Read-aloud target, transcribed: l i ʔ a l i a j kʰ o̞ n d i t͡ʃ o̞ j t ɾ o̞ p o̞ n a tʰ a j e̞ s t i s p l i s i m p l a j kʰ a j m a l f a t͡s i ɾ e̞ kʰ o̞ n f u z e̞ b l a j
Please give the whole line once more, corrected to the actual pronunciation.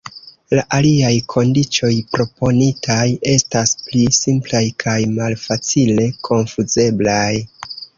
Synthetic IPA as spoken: l a ʔ a l i a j kʰ o̞ n d i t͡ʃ o̞ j p ɾ o̞ p o̞ n i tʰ a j e̞ s t a s p l i s i m p l a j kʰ a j m a l f a t͡s i l e̞ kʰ o̞ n f u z e̞ b l a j